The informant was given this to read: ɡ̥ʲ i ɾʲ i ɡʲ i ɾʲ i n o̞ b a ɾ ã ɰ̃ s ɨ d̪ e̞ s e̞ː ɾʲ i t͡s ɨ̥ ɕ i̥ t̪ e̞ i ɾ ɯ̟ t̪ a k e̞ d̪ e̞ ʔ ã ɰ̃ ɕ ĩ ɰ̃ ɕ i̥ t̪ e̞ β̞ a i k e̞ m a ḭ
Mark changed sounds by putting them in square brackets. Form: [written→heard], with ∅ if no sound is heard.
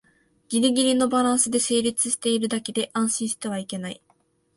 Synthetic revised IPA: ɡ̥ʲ i ɾʲ i ɡʲ i ɾʲ i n o̞ b a ɾ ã ɰ̃ s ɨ d̪ e̞ s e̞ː ɾʲ i t͡s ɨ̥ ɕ i̥ t̪ e̞ i ɾ ɯ̟ [t̪→d̪] a k e̞ d̪ e̞ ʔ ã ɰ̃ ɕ ĩ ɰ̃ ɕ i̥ t̪ e̞ β̞ a i k e̞ [m→n] a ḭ

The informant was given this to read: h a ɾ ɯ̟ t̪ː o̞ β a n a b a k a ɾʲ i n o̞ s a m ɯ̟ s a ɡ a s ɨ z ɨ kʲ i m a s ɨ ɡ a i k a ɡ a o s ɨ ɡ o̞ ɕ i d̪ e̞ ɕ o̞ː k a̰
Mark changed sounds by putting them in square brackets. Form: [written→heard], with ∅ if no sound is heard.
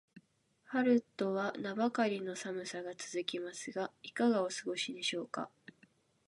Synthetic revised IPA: h a ɾ ɯ̟ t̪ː o̞ β a n a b a k a ɾʲ i n o̞ s a m ɯ̟ s a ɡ a [s→t͡s] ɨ z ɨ kʲ i m a s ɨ ɡ a i k a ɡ a o s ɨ ɡ o̞ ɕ i d̪ e̞ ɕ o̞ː k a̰

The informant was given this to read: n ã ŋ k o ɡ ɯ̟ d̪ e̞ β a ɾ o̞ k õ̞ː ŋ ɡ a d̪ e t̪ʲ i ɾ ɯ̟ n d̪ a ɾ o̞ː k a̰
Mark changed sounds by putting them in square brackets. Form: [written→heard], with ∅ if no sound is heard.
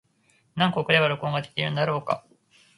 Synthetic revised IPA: n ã ŋ k o [ɡ→k] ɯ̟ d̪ e̞ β a ɾ o̞ k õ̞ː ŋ ɡ a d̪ e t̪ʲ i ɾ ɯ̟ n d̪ a ɾ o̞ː k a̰

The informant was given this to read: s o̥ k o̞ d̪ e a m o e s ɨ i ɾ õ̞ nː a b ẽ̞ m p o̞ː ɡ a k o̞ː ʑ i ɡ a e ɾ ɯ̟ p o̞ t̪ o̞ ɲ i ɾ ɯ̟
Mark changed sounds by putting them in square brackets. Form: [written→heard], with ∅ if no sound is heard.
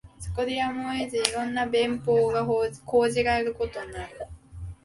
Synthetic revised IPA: s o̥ k o̞ d̪ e a m o e [s→z] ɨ i ɾ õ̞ nː a b ẽ̞ m p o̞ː ɡ a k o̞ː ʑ i ɡ a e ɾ ɯ̟ [p→k] o̞ t̪ o̞ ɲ [i→a] ɾ ɯ̟

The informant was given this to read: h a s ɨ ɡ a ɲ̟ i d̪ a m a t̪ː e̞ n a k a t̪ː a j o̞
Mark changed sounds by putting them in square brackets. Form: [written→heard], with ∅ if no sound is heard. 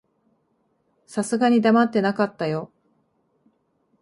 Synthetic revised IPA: [h→s] a s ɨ ɡ a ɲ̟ i d̪ a m a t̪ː e̞ n a k a t̪ː a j o̞

